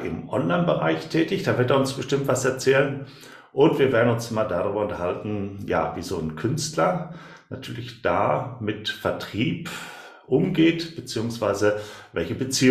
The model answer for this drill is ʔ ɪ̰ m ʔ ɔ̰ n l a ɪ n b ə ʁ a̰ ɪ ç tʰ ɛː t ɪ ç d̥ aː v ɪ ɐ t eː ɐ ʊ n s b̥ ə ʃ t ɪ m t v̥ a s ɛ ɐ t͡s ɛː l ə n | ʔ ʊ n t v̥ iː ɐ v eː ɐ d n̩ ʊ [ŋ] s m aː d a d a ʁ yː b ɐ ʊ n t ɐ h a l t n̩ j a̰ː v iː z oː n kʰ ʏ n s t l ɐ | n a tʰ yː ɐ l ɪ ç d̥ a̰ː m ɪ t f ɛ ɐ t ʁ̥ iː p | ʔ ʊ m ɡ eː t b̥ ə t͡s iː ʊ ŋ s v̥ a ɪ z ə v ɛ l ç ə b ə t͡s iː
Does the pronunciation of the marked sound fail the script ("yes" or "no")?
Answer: yes